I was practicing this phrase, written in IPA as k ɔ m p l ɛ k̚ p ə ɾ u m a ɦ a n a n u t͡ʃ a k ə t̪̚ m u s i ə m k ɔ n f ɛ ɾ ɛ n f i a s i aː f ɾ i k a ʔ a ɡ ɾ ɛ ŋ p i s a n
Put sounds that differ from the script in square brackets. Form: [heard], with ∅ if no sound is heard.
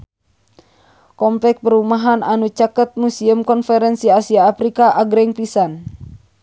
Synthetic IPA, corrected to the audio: k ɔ m p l ɛ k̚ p ə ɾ u m a ɦ a n a n u t͡ʃ a k ə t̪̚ m u s i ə m k ɔ n f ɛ ɾ ɛ n [s] i a s i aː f ɾ i k a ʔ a ɡ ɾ ɛ ŋ p i s a n